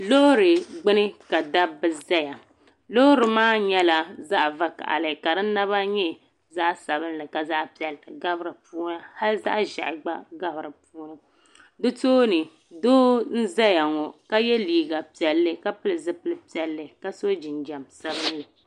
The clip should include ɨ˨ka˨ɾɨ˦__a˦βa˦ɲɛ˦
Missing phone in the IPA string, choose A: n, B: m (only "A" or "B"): A